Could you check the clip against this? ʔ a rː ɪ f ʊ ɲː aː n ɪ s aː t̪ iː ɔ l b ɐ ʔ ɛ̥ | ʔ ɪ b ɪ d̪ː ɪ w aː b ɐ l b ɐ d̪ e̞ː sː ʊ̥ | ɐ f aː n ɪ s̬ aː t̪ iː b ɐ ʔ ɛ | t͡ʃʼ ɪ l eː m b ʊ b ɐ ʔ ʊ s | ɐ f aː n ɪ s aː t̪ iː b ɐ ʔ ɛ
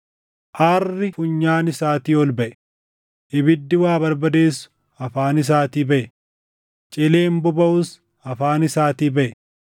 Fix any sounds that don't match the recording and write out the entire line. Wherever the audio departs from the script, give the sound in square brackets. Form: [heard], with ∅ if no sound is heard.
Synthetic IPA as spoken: ʔ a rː ɪ f ʊ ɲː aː n ɪ s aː t̪ iː ɔ l b ɐ ʔ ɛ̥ | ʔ ɪ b ɪ d̪ː ɪ w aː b ɐ [ɾ] b ɐ d̪ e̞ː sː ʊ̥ | ɐ f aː n ɪ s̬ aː t̪ iː b ɐ ʔ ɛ | t͡ʃʼ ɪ l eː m b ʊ b ɐ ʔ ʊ s | ɐ f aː n ɪ s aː t̪ iː b ɐ ʔ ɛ